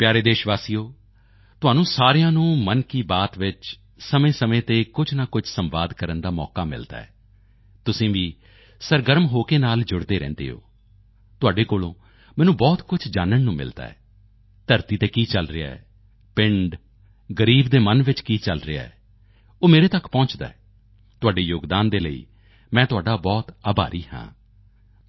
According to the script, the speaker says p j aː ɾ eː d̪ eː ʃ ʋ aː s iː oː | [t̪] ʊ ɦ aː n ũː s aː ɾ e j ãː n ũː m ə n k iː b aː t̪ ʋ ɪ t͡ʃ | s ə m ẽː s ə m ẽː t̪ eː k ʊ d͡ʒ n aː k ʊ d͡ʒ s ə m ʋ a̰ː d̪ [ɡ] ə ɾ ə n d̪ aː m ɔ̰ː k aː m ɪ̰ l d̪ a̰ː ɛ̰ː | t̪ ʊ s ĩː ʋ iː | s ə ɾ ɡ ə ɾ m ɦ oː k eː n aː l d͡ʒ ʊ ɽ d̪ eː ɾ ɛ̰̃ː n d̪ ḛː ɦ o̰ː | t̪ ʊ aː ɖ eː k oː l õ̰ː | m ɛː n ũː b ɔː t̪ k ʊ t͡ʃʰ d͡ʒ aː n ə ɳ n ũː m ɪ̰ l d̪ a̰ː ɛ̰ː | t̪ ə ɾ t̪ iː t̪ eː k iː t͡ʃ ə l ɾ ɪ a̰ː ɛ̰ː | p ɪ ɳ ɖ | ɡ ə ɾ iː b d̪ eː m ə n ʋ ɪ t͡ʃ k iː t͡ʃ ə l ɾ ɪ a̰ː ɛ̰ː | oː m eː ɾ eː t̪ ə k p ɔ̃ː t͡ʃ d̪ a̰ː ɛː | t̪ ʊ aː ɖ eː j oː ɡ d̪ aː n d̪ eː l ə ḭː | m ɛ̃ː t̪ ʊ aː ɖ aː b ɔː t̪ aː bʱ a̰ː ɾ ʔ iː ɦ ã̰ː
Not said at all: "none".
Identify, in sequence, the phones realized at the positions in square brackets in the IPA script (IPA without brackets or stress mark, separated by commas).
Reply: t̪, k